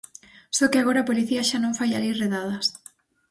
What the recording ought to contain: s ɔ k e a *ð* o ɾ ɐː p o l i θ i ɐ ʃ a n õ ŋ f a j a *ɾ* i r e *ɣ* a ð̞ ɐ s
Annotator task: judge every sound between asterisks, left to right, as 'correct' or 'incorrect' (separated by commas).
incorrect, incorrect, incorrect